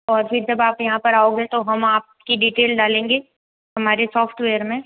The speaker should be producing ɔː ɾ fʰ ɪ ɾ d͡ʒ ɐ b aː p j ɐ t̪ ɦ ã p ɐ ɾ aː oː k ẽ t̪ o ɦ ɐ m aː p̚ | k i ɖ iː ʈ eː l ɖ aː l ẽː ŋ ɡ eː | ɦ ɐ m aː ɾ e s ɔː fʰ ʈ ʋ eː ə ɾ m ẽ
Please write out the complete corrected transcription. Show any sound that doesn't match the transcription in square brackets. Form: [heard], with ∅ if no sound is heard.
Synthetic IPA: ɔː ɾ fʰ ɪ ɾ d͡ʒ ɐ b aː p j ɐ [∅] ɦ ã p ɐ ɾ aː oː [ɡ] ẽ t̪ o ɦ ɐ m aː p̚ | k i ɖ iː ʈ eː l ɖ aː l ẽː ŋ ɡ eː | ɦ ɐ m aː ɾ e s ɔː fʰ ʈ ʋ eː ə ɾ m ẽ